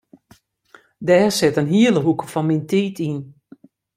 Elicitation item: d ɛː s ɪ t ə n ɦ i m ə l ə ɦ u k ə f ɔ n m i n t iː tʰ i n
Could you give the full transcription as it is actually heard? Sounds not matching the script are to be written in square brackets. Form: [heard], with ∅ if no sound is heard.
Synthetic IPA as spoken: d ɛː s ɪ t ə n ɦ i [∅] ə l ə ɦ u k ə f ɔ n m i n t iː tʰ i n